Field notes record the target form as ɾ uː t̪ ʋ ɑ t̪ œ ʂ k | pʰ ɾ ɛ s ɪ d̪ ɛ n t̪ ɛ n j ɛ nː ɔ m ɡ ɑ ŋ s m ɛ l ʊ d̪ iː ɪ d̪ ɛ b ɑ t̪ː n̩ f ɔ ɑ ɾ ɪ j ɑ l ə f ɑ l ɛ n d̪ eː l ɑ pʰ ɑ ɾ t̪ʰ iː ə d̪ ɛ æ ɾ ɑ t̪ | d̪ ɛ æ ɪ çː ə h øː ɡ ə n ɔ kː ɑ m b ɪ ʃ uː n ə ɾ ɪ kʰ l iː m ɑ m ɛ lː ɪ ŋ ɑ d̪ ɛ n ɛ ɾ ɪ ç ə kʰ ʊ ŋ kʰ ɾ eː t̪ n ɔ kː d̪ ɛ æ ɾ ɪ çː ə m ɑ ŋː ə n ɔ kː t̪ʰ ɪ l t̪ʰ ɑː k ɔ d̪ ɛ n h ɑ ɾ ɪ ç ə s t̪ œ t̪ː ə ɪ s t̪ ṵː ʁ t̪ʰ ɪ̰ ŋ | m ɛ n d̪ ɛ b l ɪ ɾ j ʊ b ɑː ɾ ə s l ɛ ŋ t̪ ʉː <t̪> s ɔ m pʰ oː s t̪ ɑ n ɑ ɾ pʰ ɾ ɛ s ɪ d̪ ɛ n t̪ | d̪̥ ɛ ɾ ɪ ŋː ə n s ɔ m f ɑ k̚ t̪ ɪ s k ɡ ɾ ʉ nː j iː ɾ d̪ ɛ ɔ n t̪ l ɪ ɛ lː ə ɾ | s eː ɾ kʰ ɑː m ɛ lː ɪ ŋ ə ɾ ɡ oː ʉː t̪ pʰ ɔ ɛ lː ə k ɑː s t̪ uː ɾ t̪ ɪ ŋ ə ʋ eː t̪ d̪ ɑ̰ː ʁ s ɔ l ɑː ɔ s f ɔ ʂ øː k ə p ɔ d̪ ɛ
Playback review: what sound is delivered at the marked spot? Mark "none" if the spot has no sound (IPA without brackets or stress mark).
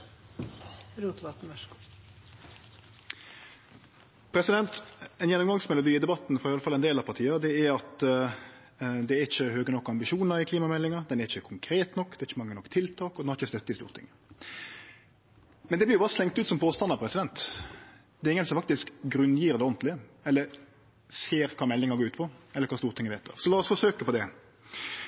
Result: t̪